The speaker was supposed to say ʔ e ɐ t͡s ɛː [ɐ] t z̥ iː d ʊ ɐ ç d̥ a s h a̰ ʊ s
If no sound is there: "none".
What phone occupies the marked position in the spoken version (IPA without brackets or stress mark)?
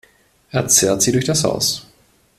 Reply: ɐ